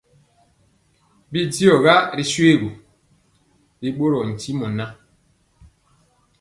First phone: b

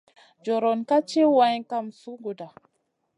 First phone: d͡ʒ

